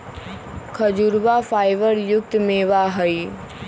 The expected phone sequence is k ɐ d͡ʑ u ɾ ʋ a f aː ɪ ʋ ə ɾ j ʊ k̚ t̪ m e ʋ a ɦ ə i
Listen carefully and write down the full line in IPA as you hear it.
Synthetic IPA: kʰ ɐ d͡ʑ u ɾ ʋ a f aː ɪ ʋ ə ɾ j ʊ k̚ t̪ m e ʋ a ɦ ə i